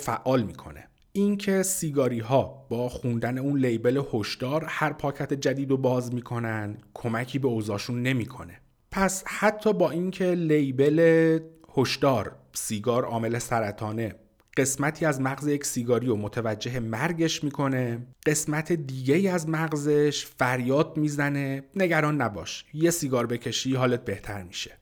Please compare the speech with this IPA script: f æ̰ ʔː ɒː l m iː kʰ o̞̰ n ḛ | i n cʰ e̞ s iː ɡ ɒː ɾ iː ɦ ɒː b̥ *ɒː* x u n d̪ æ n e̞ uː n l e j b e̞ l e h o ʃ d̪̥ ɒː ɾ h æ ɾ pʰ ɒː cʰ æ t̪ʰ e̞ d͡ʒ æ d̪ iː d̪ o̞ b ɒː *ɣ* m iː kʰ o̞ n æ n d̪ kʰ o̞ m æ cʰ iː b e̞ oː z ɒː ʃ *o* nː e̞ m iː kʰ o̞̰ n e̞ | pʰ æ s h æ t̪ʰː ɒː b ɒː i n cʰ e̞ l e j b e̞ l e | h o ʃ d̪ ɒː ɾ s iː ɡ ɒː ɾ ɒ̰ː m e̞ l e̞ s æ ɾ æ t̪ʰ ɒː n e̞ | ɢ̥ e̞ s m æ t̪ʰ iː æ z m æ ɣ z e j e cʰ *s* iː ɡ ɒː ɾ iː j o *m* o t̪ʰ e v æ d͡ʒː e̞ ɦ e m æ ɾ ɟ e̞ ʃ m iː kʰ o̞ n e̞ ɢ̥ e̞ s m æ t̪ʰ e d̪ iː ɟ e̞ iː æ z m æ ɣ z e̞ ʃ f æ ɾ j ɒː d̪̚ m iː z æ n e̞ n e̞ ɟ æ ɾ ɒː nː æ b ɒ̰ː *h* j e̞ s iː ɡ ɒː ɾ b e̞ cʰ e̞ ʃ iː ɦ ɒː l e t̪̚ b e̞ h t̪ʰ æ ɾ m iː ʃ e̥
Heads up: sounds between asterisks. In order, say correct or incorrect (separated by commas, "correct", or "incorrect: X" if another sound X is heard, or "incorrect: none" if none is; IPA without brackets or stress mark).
correct, incorrect: z, incorrect: u, correct, correct, incorrect: ʃ